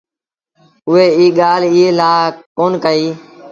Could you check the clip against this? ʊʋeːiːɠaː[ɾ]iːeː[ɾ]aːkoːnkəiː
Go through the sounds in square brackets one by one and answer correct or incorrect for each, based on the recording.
incorrect: l, incorrect: l

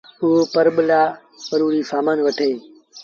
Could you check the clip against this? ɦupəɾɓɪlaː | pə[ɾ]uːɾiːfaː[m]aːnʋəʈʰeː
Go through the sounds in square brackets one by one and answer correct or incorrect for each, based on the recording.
correct, correct

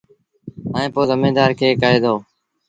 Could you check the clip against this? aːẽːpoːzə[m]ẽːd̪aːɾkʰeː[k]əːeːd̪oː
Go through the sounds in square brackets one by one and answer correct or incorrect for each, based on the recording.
correct, correct

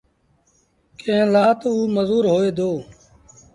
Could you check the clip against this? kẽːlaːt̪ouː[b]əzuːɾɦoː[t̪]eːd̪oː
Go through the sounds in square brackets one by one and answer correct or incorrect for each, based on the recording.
incorrect: m, incorrect: none

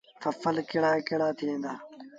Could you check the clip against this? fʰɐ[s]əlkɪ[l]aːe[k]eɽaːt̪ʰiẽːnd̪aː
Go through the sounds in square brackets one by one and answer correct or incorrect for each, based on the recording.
incorrect: f, incorrect: ɽ, correct

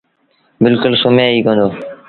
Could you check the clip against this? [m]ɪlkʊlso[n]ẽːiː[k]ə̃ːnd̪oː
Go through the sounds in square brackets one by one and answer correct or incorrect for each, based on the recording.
incorrect: b, incorrect: m, correct

